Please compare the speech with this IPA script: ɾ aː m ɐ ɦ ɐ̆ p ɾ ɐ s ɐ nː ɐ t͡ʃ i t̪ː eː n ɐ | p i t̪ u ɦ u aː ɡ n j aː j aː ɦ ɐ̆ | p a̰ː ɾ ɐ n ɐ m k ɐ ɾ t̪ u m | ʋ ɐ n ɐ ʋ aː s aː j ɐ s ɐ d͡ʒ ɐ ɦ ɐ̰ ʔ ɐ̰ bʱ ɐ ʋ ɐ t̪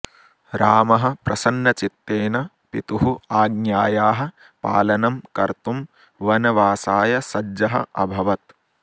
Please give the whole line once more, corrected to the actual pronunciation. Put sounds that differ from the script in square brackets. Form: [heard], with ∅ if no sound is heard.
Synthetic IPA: ɾ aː m ɐ ɦ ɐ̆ p ɾ ɐ s ɐ nː ɐ t͡ʃ i t̪ː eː n ɐ | p i t̪ u ɦ u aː ɡ n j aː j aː ɦ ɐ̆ | p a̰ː [l] ɐ n ɐ m k ɐ ɾ t̪ u m | ʋ ɐ n ɐ ʋ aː s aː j ɐ s ɐ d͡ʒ ɐ ɦ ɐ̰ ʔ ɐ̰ bʱ ɐ ʋ ɐ t̪

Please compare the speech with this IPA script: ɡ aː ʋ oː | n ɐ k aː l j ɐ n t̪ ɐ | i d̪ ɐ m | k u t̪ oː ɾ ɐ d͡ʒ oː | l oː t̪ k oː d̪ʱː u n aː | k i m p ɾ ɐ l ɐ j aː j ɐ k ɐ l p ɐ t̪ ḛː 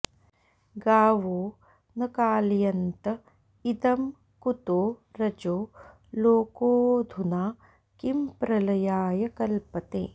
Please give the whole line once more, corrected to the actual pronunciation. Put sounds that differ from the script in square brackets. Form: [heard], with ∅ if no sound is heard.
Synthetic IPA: ɡ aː ʋ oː | n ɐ k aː l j ɐ n t̪ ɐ | i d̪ ɐ m | k u t̪ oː ɾ ɐ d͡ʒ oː | l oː [∅] k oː [d̪ʱ] u n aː | k i m p ɾ ɐ l ɐ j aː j ɐ k ɐ l p ɐ t̪ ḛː

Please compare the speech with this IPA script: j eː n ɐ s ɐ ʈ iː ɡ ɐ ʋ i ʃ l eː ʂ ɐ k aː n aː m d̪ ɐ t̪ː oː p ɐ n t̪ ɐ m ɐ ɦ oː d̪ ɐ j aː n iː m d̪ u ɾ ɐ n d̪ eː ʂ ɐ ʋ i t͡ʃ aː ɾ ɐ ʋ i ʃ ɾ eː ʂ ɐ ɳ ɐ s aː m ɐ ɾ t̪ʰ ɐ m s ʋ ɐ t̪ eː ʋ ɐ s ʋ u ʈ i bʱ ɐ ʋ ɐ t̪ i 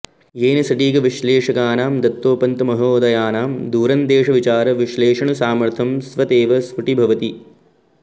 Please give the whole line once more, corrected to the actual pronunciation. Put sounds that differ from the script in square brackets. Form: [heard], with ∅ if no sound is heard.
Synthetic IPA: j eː n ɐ s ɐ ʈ iː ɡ ɐ ʋ i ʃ l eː ʂ ɐ k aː n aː m d̪ ɐ t̪ː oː p ɐ n t̪ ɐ m ɐ ɦ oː d̪ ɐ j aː n [aː] m d̪ [uː] ɾ ɐ n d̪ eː ʂ ɐ ʋ i t͡ʃ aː ɾ ɐ ʋ i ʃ [l] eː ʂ ɐ ɳ ɐ s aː m ɐ ɾ t̪ʰ ɐ m s ʋ ɐ t̪ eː ʋ ɐ s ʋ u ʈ i bʱ ɐ ʋ ɐ t̪ i

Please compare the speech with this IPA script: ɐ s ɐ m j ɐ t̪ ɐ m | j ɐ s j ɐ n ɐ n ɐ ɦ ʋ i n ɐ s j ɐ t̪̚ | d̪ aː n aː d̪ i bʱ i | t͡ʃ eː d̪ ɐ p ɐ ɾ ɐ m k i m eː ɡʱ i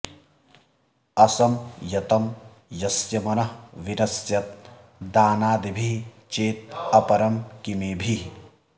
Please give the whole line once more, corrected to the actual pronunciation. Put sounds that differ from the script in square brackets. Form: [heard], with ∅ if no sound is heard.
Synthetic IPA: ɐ s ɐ m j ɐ t̪ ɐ m | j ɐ s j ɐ [m] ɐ n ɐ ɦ ʋ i n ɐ s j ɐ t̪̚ | d̪ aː n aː d̪ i bʱ i | t͡ʃ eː [t̪] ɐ p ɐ ɾ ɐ m k i m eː [bʱ] i

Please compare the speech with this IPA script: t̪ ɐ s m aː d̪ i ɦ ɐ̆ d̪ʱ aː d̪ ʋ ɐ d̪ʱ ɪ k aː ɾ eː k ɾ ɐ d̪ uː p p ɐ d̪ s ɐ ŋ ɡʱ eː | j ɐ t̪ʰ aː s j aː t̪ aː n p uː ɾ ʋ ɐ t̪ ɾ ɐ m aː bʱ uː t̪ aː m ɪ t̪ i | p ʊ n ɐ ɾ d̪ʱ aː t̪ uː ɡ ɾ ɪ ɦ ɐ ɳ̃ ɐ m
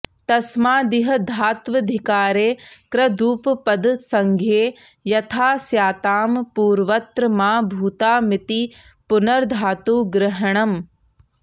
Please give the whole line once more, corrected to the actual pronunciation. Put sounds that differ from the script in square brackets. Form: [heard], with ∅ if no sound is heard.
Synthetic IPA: t̪ ɐ s m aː d̪ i ɦ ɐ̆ d̪ʱ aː [t̪] ʋ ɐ d̪ʱ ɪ k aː ɾ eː k ɾ ɐ d̪ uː p p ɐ d̪ s ɐ ŋ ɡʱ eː | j ɐ t̪ʰ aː s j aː t̪ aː [m] p uː ɾ ʋ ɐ t̪ ɾ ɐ m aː bʱ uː t̪ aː m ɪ t̪ i | p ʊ n ɐ ɾ d̪ʱ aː t̪ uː ɡ ɾ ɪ ɦ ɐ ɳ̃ ɐ m

